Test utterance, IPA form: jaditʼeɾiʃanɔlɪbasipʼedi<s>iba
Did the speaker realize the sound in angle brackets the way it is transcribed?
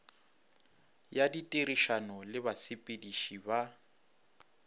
no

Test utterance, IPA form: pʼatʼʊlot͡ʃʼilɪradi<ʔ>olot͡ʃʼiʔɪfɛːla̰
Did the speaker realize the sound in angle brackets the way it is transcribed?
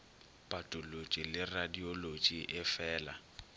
no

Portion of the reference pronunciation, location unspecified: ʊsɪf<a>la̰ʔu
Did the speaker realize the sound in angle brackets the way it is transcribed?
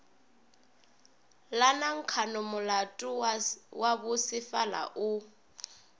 yes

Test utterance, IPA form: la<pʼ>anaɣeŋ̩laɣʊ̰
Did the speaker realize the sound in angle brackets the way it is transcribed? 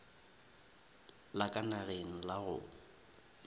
no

